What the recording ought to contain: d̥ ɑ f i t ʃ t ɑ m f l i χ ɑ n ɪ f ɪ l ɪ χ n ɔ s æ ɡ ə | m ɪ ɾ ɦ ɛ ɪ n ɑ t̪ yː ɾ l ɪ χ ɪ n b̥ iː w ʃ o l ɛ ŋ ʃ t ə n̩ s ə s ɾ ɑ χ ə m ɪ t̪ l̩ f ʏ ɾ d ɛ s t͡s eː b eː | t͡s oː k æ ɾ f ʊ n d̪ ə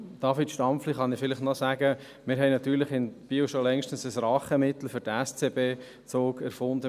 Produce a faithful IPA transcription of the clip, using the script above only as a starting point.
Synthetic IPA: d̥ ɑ f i t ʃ t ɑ m f l i χ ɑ n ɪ f ɪ l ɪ χ n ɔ s æ ɡ ə | m ɪ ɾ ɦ ɛ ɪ n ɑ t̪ yː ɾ l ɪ χ ɪ n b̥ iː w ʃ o l ɛ ŋ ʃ t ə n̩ s ə s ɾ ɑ χ ə m ɪ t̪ l̩ f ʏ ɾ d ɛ s t͡s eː b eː | t͡s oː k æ ɾ f ʊ n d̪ ə